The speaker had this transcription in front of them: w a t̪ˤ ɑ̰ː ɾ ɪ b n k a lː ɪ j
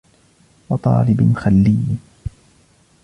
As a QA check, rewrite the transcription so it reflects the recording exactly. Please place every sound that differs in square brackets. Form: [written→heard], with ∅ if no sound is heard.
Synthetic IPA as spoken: w [a→ɑ] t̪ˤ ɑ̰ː [ɾ→l] ɪ b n [k→x] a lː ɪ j